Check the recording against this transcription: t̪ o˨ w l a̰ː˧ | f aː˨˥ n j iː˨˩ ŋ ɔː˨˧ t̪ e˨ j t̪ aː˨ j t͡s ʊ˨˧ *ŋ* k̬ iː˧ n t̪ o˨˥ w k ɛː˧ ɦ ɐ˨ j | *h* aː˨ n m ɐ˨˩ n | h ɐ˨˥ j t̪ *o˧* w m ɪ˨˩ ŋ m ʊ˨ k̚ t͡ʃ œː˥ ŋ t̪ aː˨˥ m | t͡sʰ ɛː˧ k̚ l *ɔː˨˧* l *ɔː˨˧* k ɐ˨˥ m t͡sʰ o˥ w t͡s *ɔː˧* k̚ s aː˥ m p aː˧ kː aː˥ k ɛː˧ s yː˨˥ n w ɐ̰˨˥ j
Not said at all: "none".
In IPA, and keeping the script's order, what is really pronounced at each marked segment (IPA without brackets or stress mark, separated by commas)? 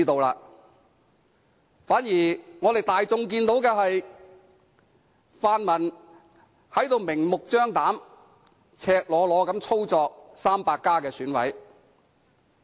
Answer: ŋ, f, o˧, ɔː˨˧, ɔː˨˧, ɔː˧